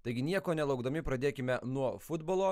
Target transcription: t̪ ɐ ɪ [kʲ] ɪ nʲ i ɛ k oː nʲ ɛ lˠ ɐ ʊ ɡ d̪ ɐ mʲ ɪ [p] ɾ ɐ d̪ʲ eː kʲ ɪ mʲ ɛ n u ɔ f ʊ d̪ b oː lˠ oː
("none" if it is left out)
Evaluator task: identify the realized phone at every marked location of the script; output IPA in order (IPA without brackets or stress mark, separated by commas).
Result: ɡʲ, p